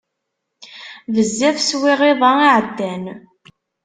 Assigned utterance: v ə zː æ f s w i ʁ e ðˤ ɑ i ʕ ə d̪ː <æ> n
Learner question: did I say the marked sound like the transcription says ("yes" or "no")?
yes